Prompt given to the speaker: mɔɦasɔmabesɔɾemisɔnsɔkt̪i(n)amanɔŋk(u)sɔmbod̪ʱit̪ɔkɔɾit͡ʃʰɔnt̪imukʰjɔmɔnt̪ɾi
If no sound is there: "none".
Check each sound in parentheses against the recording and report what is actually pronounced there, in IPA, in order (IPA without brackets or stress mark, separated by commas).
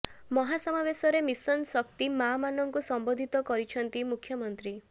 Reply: m, u